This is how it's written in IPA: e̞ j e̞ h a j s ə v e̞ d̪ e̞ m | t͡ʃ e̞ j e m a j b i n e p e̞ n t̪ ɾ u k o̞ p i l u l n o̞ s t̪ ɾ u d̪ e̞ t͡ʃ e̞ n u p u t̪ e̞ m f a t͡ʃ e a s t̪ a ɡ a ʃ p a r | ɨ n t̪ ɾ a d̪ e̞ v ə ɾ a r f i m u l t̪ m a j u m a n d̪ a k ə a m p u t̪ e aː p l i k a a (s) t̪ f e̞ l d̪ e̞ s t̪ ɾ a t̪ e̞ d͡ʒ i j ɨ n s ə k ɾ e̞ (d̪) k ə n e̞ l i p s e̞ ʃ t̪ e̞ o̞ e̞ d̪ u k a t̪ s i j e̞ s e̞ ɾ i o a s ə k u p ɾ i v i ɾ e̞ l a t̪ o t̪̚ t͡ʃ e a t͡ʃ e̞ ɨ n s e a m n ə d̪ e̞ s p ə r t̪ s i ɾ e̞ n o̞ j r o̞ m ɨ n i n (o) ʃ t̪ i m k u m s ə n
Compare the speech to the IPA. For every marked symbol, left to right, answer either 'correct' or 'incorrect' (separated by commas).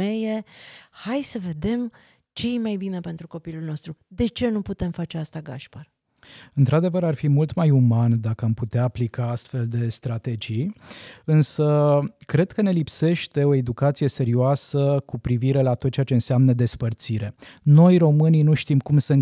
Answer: correct, correct, incorrect